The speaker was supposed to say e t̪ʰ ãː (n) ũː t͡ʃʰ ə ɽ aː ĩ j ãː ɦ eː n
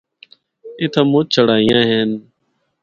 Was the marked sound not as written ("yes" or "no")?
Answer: yes